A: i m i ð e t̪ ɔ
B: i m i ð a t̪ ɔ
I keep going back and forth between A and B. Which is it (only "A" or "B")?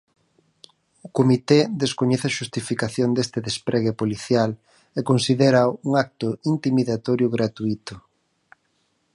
B